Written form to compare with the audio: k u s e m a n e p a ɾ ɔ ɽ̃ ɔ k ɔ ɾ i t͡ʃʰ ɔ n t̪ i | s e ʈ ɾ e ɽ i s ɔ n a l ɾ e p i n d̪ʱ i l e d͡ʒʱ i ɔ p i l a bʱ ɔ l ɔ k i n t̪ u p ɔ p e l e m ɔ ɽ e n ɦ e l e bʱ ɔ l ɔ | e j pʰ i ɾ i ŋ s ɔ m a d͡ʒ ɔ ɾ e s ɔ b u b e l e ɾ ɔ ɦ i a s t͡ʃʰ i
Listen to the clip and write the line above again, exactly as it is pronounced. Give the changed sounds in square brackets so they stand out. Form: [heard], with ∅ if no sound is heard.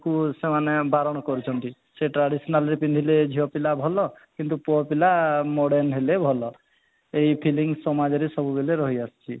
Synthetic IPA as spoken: k u s e m a n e [b] a ɾ ɔ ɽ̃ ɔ k ɔ ɾ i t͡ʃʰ ɔ n t̪ i | s e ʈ ɾ [a] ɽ i s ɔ n a l ɾ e p i n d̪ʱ i l e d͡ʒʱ i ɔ p i l a bʱ ɔ l ɔ k i n t̪ u p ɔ p [i] l [a] m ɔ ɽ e n ɦ e l e bʱ ɔ l ɔ | e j pʰ i [l] i ŋ s ɔ m a d͡ʒ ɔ ɾ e s ɔ b u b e l e ɾ ɔ ɦ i a s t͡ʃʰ i

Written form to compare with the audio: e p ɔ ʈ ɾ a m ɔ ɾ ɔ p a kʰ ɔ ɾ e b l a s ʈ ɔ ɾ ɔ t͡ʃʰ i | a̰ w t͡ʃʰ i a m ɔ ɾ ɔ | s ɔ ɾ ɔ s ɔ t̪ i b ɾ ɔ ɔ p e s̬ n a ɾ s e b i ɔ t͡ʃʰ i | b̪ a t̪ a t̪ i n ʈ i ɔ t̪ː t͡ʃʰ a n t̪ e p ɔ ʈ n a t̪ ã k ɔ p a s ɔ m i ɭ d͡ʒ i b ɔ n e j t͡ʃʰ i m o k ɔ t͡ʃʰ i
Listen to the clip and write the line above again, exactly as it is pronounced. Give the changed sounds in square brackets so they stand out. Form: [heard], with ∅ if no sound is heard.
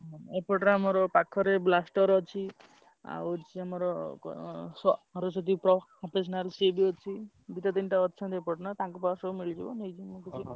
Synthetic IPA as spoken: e p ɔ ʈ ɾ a m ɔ ɾ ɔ p a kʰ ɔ ɾ e b l a s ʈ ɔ ɾ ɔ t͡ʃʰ i | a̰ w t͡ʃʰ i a m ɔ ɾ ɔ | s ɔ ɾ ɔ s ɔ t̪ i [p] ɾ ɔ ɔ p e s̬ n a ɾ s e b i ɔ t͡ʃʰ i | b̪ [i] t̪ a t̪ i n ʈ [a] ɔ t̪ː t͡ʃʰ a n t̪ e p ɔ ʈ n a t̪ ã k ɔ p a s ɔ m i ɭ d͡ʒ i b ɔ n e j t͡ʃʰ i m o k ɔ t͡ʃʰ i

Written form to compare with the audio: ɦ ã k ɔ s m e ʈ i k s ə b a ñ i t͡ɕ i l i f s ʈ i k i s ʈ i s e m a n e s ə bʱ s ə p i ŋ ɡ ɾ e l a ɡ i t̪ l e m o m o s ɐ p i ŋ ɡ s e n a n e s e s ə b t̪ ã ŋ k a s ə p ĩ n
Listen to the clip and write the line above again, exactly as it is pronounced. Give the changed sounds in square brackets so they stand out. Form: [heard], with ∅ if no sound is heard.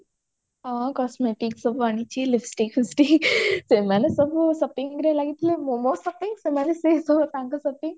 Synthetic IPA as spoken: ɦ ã k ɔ s m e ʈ i k s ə b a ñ i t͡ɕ i l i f s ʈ i k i s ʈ i s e m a n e s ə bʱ s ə p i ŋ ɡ ɾ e l a ɡ i t̪ l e m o m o s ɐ p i ŋ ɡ s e [m] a n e s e s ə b t̪ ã ŋ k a s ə p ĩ [ŋ]

